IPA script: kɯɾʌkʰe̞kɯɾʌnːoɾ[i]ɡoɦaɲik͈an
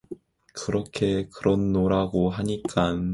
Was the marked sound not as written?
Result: yes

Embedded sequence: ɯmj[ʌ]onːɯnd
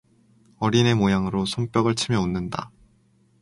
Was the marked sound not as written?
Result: no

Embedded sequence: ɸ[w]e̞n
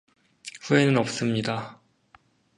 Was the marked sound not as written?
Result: yes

